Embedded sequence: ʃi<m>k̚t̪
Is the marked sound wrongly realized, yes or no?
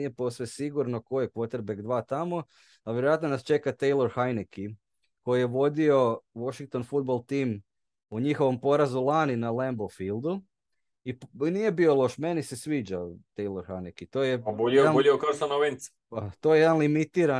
yes